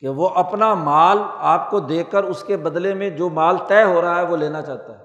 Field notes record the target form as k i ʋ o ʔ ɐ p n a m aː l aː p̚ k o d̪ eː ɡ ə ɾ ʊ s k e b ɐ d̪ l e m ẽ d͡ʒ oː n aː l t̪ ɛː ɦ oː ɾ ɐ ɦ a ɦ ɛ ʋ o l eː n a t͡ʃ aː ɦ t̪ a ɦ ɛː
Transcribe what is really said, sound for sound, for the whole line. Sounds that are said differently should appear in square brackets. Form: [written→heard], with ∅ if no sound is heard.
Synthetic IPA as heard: k [i→e] ʋ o ʔ ɐ p n a m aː l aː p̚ k o d̪ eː [ɡ→k] ə ɾ ʊ s k e b ɐ d̪ l e m ẽ d͡ʒ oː [n→m] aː l t̪ ɛː ɦ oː ɾ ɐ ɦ a ɦ ɛ ʋ o l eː n a t͡ʃ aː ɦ t̪ a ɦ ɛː